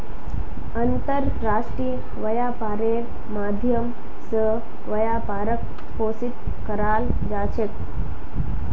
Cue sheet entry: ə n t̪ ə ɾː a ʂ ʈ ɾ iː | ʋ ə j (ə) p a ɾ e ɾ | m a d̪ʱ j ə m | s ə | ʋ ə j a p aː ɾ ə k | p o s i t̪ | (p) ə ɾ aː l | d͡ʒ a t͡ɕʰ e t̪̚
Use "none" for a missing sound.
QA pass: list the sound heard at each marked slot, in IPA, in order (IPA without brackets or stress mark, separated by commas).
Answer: a, k